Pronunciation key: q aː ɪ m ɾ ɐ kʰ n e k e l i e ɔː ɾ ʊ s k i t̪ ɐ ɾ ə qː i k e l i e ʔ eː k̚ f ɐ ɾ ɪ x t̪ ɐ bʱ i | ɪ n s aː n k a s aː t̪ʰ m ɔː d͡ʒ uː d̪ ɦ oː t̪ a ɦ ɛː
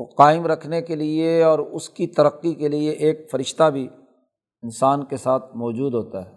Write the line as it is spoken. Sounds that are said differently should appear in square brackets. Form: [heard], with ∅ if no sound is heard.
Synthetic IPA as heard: q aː ɪ m ɾ ɐ kʰ n e k e l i e ɔː ɾ ʊ s k i t̪ ɐ ɾ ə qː i k e l i e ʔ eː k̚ f ɐ ɾ ɪ [ʃ] t̪ [a] bʱ i | ɪ n s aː n k [e] s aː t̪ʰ m ɔː d͡ʒ uː d̪ ɦ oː t̪ a ɦ ɛː